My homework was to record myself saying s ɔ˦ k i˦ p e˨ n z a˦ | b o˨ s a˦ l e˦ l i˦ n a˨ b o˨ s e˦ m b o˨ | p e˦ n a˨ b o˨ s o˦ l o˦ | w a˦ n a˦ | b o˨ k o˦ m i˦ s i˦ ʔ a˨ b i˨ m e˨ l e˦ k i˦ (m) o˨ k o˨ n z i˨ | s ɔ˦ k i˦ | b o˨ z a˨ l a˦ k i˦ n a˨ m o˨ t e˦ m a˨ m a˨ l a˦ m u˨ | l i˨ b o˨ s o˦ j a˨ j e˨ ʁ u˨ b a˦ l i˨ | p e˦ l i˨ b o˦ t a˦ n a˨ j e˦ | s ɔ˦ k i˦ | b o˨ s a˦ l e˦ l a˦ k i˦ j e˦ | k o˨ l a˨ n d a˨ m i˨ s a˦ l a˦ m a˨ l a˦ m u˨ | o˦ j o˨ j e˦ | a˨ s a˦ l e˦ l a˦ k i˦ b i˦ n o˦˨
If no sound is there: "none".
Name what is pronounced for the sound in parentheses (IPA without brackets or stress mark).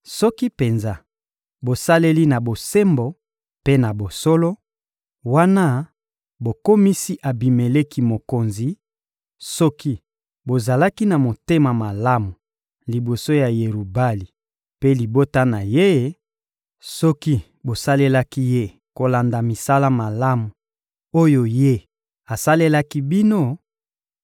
m